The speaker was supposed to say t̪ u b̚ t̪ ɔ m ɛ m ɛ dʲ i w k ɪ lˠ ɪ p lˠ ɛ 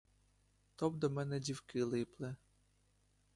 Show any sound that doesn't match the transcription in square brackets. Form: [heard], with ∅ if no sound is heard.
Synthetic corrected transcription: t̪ [ɔ] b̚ [d̪] ɔ m ɛ [n] ɛ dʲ i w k ɪ lˠ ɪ p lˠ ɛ